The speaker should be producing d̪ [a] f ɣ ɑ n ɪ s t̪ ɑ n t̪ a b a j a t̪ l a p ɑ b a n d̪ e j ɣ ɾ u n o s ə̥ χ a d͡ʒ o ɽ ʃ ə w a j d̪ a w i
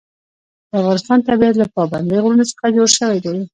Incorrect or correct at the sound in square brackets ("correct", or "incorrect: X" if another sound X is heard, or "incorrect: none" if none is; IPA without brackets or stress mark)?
correct